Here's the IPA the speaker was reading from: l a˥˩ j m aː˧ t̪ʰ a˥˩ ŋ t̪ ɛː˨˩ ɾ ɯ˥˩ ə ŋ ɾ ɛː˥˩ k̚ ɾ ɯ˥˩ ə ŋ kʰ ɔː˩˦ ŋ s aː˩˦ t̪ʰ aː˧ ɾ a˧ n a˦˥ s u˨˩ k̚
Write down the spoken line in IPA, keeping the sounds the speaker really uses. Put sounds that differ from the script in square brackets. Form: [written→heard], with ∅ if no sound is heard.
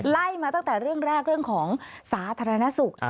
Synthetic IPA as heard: l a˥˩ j m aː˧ [t̪ʰ→t̪] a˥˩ ŋ t̪ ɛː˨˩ ɾ ɯ˥˩ ə ŋ ɾ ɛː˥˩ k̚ ɾ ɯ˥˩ ə ŋ kʰ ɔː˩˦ ŋ s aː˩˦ t̪ʰ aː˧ ɾ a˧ n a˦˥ s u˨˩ k̚